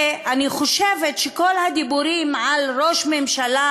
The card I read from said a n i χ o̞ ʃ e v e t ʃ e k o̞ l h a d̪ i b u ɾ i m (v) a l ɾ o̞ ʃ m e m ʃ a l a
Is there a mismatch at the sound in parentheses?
yes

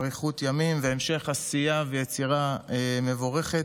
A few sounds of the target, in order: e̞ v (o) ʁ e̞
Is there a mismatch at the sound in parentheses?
no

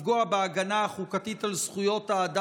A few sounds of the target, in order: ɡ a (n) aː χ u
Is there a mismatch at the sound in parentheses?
no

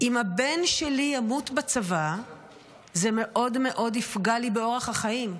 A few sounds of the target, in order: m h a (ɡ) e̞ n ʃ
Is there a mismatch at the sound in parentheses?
yes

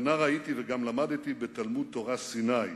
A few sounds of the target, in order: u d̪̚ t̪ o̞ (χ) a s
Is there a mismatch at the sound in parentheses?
yes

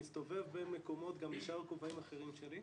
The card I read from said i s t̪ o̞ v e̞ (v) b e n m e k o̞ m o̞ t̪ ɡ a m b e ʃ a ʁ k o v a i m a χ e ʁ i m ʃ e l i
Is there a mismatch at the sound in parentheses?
no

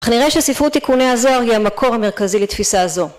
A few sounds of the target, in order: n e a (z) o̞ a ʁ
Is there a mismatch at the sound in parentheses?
no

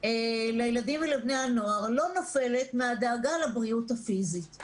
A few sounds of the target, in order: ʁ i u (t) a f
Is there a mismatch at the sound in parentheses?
no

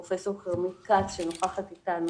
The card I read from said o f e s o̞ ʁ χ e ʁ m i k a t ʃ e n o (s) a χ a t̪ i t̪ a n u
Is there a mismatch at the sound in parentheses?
yes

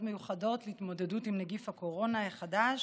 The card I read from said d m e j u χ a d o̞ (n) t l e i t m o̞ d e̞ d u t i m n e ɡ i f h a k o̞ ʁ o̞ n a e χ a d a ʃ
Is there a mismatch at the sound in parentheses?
yes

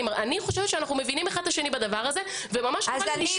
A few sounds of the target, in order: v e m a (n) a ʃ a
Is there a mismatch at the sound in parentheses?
yes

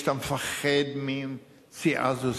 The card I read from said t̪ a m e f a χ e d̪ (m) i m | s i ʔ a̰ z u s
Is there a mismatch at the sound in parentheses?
no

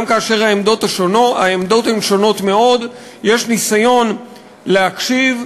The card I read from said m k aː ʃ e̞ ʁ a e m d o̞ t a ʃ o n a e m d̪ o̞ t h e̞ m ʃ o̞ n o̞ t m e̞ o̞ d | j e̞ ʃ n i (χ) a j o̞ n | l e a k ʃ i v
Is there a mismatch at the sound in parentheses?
yes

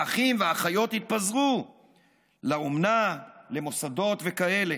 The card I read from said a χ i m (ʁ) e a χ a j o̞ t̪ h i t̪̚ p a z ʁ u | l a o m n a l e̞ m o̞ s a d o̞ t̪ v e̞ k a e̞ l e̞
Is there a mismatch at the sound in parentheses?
yes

